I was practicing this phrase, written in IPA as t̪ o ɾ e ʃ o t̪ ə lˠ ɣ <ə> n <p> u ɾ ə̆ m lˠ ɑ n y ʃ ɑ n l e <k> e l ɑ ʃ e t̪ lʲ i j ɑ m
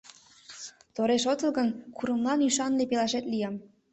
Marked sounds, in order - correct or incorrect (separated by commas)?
correct, incorrect, incorrect